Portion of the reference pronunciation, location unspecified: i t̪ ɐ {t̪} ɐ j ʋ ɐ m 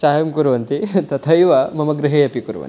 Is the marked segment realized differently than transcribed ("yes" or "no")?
yes